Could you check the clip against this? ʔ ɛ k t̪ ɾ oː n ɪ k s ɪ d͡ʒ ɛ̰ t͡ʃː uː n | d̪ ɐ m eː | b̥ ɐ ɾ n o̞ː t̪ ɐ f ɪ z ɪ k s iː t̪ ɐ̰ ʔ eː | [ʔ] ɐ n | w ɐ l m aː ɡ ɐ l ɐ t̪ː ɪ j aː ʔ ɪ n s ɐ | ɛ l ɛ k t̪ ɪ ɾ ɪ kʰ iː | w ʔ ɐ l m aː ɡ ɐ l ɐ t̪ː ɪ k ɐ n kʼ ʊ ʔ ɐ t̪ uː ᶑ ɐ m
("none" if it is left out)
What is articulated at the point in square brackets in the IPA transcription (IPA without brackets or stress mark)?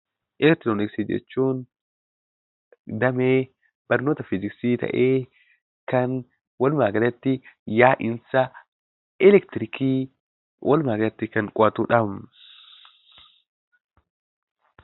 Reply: k